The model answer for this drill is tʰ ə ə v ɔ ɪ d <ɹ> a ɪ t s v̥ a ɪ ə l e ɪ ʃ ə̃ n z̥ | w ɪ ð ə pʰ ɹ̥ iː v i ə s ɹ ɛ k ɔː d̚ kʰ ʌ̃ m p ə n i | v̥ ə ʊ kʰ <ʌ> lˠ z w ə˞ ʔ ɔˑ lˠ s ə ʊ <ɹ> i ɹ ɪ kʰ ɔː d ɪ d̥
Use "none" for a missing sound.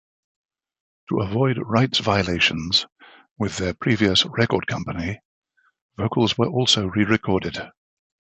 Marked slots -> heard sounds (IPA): ɹ, ə, ɹ

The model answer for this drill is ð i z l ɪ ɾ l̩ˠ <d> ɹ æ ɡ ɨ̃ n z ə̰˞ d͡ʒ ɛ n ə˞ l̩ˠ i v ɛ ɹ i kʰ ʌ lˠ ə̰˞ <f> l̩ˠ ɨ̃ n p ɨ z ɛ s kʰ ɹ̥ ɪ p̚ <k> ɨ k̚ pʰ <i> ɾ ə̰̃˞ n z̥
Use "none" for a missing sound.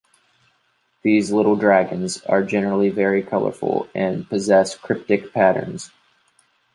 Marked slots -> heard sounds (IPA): d, f, t, æ

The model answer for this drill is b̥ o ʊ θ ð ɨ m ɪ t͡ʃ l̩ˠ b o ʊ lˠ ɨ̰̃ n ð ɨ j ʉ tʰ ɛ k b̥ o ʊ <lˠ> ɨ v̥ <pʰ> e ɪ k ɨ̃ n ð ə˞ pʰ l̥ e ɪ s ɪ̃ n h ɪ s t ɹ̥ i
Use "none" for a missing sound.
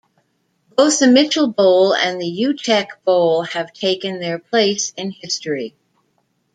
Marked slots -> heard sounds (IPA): lˠ, tʰ

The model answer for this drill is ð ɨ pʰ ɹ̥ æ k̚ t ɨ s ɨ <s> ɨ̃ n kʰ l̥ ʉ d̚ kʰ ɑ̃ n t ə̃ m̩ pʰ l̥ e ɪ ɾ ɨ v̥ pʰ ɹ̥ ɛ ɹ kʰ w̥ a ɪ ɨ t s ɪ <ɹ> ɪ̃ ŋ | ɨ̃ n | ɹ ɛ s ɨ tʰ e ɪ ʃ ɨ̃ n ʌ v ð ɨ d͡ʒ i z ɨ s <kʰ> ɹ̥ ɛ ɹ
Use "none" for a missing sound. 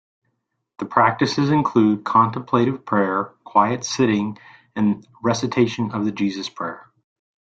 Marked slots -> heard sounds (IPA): z, ɾ, pʰ

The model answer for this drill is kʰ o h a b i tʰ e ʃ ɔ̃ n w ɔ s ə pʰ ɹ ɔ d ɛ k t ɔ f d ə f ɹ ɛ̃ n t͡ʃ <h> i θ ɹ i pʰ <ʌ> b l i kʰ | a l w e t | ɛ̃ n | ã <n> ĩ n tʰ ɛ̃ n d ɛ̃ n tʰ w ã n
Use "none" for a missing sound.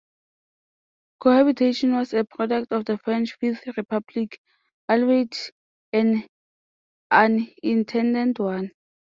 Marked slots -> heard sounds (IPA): f, a, n

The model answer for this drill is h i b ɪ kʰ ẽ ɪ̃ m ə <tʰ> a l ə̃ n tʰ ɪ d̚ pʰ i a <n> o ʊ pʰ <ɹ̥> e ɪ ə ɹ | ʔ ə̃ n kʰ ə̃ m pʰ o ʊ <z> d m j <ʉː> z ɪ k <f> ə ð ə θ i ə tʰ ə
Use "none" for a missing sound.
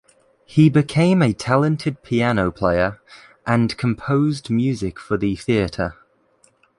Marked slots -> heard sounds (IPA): tʰ, n, l̥, z, ʉː, f

